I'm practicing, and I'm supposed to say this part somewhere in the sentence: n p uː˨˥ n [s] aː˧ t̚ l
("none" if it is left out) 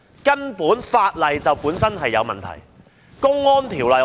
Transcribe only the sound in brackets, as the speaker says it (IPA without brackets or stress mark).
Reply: f